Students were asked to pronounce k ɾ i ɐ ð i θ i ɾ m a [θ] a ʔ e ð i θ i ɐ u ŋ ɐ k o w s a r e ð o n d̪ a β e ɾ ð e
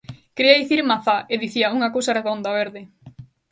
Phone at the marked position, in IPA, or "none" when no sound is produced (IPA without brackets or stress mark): θ